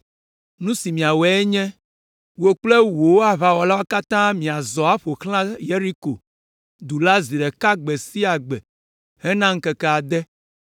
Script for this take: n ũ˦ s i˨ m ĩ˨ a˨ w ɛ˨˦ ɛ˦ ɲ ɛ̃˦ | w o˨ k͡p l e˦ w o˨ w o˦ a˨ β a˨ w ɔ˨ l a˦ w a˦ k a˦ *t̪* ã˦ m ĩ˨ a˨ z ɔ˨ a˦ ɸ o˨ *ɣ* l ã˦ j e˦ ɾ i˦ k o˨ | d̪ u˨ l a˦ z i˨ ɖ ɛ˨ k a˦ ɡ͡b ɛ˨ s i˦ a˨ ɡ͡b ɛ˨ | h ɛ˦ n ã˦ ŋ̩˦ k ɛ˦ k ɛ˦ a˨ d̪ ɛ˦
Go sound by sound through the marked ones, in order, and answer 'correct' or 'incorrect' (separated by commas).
correct, incorrect